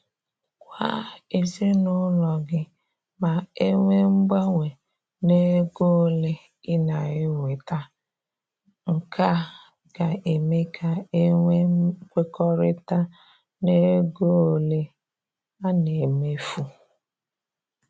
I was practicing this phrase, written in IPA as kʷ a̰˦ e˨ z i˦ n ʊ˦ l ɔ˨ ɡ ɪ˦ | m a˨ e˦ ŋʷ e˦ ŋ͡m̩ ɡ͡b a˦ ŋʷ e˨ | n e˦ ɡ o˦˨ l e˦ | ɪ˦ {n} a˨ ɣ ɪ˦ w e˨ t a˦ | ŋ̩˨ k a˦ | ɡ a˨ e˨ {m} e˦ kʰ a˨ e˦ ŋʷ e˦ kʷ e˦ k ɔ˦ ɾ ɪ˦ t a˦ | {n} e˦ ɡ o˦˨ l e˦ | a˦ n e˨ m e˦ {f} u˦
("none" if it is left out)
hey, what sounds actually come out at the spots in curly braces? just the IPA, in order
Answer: n, m, n, f

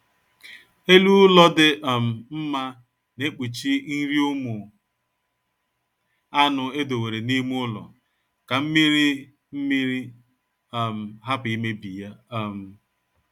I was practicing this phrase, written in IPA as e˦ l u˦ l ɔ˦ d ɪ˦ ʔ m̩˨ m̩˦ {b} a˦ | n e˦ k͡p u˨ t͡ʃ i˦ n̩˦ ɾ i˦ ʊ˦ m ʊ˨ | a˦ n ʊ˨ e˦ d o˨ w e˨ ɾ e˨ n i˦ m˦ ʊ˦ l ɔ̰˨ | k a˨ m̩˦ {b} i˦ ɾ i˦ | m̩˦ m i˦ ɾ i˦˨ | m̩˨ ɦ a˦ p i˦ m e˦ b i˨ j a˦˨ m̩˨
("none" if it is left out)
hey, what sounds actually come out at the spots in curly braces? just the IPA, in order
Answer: m, m

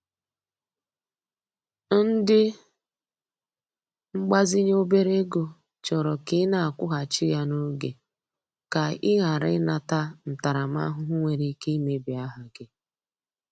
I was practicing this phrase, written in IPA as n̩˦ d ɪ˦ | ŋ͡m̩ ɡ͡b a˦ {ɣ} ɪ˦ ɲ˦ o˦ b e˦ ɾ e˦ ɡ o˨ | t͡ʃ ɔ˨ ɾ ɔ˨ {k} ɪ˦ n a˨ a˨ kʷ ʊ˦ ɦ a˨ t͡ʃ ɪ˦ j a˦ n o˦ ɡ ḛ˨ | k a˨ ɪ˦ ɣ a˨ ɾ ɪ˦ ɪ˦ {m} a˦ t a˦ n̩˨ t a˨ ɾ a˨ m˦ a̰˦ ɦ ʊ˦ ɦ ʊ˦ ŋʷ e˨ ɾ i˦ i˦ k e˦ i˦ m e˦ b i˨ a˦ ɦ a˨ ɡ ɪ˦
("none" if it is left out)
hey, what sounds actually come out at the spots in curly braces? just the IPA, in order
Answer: z, k, n

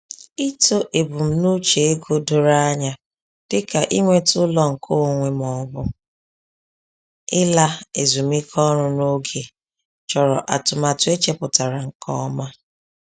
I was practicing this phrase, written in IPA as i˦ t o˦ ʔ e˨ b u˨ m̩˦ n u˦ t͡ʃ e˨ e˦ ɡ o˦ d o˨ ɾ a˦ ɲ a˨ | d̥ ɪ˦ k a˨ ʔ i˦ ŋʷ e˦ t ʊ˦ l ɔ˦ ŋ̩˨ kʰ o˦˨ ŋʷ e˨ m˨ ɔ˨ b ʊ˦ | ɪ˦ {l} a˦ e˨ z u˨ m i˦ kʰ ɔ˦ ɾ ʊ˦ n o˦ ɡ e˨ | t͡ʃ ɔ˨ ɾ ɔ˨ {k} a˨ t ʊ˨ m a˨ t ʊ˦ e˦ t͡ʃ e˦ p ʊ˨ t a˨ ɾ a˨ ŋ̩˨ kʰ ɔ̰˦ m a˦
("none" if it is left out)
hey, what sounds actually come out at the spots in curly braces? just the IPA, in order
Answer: l, ʔ

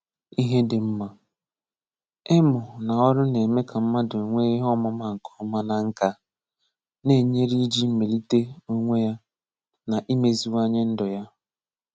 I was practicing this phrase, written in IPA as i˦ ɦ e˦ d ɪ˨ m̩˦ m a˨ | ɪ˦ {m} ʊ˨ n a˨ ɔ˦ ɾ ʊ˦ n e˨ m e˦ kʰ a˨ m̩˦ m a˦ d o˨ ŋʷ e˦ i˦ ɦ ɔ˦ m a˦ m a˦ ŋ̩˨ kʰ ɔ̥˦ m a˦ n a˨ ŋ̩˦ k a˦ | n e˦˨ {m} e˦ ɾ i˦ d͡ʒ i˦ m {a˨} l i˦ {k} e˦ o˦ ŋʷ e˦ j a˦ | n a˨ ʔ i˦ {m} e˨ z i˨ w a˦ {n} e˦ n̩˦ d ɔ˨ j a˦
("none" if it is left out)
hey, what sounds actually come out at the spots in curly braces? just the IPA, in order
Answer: m, ɲ, e˨, t, m, ɲ

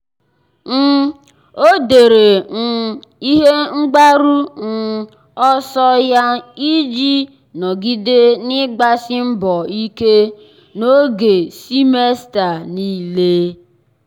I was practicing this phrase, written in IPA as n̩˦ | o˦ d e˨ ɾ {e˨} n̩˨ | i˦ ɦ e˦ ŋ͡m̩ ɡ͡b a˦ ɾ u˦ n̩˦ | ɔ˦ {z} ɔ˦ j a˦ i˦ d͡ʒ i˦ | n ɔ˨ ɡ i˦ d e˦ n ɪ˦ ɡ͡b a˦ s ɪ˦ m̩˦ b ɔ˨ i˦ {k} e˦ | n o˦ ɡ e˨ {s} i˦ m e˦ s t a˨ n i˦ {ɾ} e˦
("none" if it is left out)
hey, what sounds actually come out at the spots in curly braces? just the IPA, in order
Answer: e˨, s, k, s, l

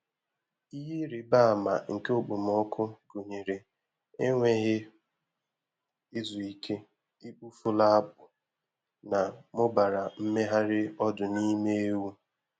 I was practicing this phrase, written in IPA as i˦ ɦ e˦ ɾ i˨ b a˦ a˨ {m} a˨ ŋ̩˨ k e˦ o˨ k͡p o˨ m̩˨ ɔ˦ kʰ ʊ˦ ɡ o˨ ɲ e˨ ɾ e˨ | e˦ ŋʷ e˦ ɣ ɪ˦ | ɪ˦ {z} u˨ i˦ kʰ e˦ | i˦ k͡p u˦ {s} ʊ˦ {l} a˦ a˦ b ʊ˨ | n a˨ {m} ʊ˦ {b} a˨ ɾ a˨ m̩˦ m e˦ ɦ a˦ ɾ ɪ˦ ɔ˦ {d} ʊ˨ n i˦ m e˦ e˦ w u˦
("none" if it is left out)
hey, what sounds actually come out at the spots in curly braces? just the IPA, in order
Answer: m, z, f, l, m, b, d

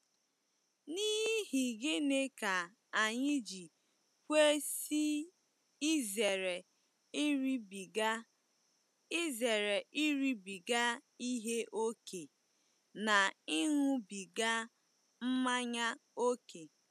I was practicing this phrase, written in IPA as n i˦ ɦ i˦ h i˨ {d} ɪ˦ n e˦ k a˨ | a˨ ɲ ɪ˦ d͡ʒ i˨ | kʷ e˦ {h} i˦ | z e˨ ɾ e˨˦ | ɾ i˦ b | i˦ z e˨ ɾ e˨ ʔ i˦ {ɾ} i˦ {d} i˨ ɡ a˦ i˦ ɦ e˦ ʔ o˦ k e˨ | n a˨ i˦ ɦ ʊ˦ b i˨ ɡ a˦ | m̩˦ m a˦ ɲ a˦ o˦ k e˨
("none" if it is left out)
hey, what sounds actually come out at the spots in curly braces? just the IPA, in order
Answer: ɡ, s, ɾ, b

